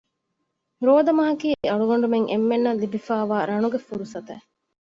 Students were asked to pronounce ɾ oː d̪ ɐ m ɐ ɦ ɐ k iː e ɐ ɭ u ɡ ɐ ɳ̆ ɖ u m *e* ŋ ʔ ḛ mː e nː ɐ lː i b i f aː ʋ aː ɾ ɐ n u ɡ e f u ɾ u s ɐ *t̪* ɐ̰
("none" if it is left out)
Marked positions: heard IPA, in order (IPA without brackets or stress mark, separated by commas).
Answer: e, t̪